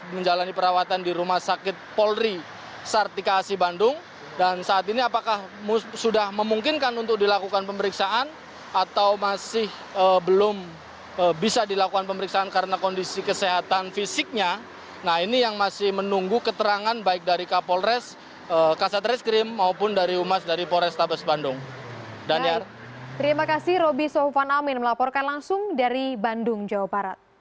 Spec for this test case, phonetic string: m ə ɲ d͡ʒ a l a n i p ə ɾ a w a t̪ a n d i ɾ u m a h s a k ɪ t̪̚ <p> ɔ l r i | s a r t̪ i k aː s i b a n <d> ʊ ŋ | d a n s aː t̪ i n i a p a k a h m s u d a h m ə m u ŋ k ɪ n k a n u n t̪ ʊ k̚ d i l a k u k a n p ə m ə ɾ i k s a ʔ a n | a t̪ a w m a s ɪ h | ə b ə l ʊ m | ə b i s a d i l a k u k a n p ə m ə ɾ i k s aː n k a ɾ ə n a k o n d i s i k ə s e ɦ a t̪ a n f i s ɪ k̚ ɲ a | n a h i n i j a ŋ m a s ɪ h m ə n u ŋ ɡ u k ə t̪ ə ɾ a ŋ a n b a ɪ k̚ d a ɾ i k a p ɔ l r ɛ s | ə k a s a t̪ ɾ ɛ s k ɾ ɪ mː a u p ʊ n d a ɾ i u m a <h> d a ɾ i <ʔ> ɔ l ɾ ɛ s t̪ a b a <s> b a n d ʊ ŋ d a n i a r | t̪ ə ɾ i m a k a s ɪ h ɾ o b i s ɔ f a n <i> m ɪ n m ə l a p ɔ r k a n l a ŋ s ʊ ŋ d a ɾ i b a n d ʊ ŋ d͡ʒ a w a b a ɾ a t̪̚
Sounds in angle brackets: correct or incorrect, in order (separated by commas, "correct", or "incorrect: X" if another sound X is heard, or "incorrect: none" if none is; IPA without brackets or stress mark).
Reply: correct, correct, incorrect: s, incorrect: p, correct, incorrect: a